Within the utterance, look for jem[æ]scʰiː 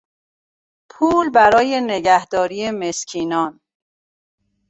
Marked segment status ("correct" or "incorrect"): incorrect